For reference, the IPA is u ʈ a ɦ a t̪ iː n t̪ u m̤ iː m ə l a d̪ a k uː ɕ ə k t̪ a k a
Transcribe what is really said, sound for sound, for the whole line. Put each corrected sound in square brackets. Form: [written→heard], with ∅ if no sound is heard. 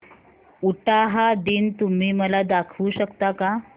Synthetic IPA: u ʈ a ɦ a [t̪→d̪] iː n t̪ u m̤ iː m ə l a d̪ a [k→kʰ] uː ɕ ə k t̪ a k a